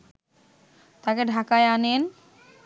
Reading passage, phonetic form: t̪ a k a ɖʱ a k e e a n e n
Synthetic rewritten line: t̪ a k e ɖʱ a k a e a n e n

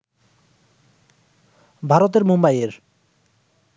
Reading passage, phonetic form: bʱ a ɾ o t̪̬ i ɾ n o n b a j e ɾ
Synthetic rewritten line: bʱ a ɾ o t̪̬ e ɾ m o m b a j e ɾ

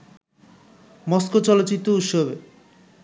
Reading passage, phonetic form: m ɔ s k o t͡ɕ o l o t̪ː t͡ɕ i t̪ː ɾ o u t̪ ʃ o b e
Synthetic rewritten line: m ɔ s k o t͡ɕ ɔ l o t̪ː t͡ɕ i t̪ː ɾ o u t̪ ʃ o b e

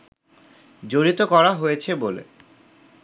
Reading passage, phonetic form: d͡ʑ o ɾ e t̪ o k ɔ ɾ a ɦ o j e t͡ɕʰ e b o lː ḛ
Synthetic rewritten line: d͡ʑ o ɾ i t̪ o k ɔ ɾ a ɦ o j e t͡ɕʰ e b o l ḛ

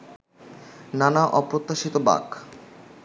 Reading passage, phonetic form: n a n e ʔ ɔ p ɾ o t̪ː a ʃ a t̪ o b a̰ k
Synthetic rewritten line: n a n a ʔ ɔ p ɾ o t̪ː a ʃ i t̪ o b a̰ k

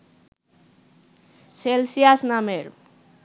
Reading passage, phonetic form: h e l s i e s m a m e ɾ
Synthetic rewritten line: s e l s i a s n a m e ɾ

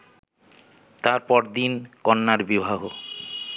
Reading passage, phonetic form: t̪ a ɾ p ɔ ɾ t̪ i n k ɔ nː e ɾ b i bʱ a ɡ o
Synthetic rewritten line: t̪ a ɾ p ɔ ɾ d̪ i n k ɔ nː a ɾ b i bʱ a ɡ o

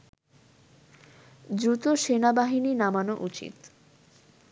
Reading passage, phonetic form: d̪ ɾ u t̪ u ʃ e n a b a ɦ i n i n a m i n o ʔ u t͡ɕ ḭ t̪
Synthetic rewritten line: d̪ ɾ u t̪ o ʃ e n a b a ɦ i n i n a m a n o ʔ u t͡ɕ ḭ t̪

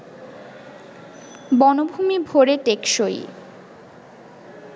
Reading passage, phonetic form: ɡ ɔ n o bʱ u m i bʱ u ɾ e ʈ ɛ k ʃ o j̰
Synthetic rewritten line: b ɔ n o bʱ u m i bʱ o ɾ e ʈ e k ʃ o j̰

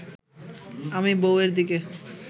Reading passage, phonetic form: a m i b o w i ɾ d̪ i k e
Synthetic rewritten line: a m i b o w e ɾ d̪ i k e

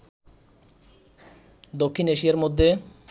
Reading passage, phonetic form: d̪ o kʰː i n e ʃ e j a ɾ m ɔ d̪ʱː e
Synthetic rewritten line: d̪ o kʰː i n e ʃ i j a ɾ m o d̪ʱː e

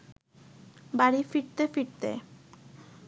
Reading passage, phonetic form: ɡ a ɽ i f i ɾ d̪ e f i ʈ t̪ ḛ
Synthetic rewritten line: b a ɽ i f i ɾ t̪ e f i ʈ t̪ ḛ

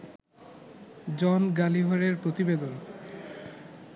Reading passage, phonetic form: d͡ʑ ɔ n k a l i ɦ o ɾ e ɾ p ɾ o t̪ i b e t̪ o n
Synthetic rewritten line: d͡ʑ ɔ n ɡ a l i ɦ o ɾ e ɾ p ɾ o t̪ i b e d̪ o n

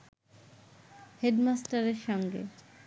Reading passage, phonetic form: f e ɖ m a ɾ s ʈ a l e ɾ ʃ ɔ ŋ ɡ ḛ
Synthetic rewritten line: h e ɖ m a s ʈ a ɾ e ɾ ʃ ɔ ŋ ɡ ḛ

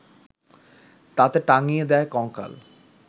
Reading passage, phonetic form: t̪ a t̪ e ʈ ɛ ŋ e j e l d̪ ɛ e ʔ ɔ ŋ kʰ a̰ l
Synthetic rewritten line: t̪ a t̪ e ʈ a ŋ i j e d̪ ɛ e k ɔ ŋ k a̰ l

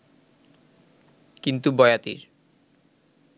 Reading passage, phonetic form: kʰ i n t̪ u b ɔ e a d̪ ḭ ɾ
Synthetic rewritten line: k i n t̪ u b ɔ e a t̪ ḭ ɾ

